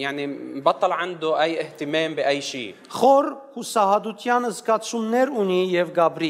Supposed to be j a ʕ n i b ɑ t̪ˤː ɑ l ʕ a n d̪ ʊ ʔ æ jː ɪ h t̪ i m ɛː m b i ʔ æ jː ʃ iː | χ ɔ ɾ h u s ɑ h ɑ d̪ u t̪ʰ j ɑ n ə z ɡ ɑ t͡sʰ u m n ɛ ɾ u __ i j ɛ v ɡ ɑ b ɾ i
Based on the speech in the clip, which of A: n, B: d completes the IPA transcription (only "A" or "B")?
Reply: A